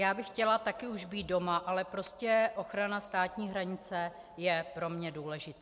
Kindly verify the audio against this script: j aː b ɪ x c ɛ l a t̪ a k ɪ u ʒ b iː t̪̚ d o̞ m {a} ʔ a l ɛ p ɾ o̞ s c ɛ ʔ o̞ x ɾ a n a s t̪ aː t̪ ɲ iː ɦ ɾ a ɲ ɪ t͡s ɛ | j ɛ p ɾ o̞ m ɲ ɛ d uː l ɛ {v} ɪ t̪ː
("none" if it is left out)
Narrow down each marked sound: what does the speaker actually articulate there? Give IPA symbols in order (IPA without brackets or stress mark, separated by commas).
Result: a, ʒ